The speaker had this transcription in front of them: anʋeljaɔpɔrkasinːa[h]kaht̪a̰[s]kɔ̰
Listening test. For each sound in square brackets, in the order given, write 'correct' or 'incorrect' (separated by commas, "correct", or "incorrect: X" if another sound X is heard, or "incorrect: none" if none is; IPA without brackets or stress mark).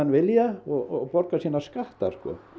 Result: incorrect: s, correct